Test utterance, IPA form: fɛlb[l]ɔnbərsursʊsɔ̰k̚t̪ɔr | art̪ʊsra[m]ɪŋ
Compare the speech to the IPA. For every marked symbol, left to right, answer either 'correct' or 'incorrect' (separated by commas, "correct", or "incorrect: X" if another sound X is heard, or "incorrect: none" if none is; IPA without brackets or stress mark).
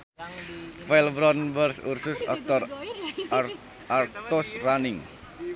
incorrect: ɾ, incorrect: n